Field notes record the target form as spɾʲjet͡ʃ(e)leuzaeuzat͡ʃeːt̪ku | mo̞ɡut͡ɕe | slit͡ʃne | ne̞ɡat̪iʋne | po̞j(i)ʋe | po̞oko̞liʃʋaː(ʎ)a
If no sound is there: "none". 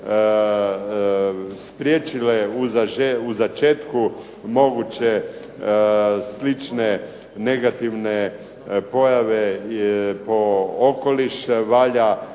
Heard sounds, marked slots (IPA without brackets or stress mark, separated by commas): i, a, ʎ